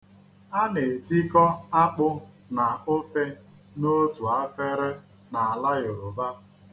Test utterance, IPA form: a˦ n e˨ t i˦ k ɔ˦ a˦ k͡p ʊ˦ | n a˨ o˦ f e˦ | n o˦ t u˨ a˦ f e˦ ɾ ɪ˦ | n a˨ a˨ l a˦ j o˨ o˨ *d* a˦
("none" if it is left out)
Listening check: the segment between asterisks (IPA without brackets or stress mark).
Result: b